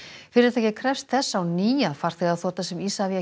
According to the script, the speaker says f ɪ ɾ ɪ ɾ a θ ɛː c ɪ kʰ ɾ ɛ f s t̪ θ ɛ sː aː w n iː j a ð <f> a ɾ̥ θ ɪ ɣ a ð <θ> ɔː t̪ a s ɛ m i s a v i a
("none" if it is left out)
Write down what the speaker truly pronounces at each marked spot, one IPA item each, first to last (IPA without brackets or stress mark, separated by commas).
f, θ